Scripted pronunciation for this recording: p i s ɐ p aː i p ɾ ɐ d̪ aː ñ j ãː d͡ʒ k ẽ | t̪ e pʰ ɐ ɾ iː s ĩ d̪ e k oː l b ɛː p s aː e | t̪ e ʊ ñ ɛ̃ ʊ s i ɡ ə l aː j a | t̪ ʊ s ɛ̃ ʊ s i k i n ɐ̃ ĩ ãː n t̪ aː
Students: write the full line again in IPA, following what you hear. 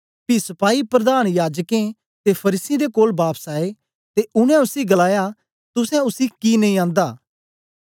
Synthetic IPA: p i s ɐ p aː i p ɾ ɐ d̪ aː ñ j aː d͡ʒ k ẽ | t̪ e pʰ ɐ ɾ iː s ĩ d̪ e k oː l b aː p s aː e | t̪ e ʊ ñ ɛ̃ ʊ s i ɡ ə l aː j a | t̪ ʊ s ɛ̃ ʊ s i k i n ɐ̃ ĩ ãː n d̪ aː